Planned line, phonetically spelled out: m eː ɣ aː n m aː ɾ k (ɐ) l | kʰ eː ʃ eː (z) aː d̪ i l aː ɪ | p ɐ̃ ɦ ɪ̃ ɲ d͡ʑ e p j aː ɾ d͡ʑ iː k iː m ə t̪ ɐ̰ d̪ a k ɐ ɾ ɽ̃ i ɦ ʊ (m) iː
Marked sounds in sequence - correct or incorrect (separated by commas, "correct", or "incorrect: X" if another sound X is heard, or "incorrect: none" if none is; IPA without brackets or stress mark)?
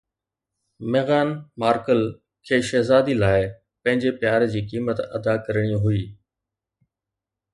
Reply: incorrect: ə, correct, incorrect: none